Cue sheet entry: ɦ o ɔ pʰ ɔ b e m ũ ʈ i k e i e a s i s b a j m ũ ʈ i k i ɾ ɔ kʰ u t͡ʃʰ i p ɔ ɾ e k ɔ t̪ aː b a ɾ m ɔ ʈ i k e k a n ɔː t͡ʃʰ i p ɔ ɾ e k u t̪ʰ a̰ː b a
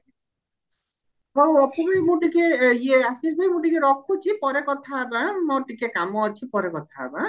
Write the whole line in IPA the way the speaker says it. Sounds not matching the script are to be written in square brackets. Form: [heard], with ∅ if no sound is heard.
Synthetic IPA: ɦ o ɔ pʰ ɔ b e m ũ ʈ i k e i e a s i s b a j m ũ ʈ i k [e] ɾ ɔ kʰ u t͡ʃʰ i p ɔ ɾ e k ɔ [t̪ʰ] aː b a [∅] m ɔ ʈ i k e k a [m] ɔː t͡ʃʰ i p ɔ ɾ e k [ɔ] t̪ʰ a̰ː b a